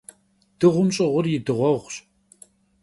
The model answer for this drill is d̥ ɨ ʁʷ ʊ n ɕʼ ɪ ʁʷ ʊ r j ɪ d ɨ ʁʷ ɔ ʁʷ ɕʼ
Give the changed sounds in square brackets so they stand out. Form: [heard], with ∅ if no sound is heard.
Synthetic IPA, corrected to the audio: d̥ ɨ ʁʷ ʊ [m] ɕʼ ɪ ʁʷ ʊ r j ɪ d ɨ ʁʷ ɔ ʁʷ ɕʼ